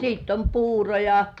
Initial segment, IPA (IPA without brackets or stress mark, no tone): s